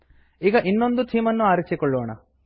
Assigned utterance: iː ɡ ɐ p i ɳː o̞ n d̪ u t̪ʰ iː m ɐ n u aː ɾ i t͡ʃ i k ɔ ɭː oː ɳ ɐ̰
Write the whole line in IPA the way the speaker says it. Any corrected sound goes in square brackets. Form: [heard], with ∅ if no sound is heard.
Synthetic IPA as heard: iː ɡ ɐ [ʔ] i [nː] o̞ n d̪ u t̪ʰ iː m ɐ [nː] u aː ɾ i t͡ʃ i k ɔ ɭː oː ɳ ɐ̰